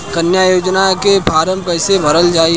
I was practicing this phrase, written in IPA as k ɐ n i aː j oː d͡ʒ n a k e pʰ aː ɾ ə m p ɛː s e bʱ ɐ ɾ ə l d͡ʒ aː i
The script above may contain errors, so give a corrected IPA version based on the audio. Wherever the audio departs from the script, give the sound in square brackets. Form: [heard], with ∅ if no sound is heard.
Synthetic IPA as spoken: k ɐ n [j] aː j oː d͡ʒ n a k e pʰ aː ɾ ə m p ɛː s e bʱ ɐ ɾ ə l d͡ʒ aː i